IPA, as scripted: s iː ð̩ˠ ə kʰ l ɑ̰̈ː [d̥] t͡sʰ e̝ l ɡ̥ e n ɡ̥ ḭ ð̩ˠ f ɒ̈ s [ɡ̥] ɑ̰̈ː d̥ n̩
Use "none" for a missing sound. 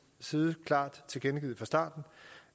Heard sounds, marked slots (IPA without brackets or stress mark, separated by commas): d̥, d̥